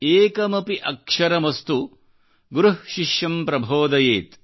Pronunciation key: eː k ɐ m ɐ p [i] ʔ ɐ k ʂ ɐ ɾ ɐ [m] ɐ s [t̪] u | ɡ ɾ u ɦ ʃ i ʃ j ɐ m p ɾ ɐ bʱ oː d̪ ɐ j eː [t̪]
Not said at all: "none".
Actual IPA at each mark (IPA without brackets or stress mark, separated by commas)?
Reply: i, m, t̪, t̪